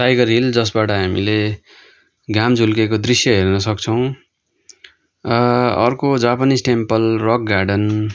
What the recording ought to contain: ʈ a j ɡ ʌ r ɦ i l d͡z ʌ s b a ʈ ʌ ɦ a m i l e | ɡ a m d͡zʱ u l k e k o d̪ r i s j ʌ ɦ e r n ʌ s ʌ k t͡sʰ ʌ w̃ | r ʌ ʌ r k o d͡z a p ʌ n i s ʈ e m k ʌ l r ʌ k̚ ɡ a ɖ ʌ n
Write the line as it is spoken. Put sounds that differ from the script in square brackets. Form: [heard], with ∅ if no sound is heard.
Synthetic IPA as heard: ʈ a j ɡ ʌ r ɦ i l d͡z ʌ s b a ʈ ʌ ɦ a m i l e | ɡ a m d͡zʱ u l k e k o d̪ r i s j ʌ ɦ e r n ʌ s ʌ k t͡sʰ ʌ w̃ | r ʌ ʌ r k o d͡z a p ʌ n i s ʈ e m [p] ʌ l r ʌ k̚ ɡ a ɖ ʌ n

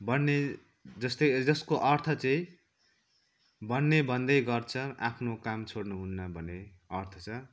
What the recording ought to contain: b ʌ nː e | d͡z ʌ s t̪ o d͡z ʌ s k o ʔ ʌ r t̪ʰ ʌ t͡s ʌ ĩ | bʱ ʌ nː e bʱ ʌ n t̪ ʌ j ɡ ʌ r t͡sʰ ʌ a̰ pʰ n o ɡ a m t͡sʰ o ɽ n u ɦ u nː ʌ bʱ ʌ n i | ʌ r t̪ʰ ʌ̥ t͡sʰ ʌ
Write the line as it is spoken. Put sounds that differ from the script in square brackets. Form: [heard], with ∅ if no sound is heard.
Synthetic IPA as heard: b ʌ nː e | d͡z ʌ s t̪ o d͡z ʌ s k o ʔ ʌ r t̪ʰ ʌ t͡s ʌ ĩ | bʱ ʌ nː e bʱ ʌ n [d̪] ʌ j ɡ ʌ r t͡sʰ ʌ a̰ pʰ n o [k] a m t͡sʰ o ɽ n u ɦ u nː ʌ bʱ ʌ n [e] | ʌ r t̪ʰ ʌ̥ t͡sʰ ʌ

